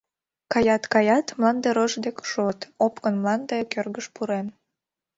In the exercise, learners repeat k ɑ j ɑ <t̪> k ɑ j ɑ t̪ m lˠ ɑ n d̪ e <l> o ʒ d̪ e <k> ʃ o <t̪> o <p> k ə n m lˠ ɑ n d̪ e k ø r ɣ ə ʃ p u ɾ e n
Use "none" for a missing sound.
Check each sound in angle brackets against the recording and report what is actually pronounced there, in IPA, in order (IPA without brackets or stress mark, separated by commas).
t̪, ɾ, k, t̪, p